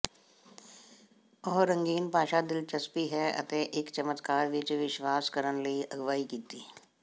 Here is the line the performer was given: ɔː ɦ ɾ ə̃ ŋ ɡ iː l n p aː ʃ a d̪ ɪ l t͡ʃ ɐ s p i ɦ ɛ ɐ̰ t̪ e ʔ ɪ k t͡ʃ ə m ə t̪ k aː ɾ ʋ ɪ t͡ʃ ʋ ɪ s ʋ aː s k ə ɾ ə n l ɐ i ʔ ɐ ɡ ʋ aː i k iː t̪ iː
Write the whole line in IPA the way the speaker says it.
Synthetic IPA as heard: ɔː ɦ ɾ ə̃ ŋ ɡ iː n p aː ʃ a d̪ ɪ l t͡ʃ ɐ s p i ɦ ɛ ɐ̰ t̪ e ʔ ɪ k t͡ʃ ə m ə t̪ k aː ɾ ʋ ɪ t͡ʃ ʋ ɪ ʃ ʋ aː s k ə ɾ ə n l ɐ i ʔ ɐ ɡ ʋ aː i k iː t̪ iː